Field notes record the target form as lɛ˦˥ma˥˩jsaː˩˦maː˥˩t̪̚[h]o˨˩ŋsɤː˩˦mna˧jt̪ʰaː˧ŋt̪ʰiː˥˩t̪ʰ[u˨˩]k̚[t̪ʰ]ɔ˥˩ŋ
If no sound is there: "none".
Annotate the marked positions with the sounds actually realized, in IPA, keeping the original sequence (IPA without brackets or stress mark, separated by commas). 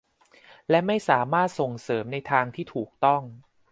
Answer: s, uː˨˩, t̪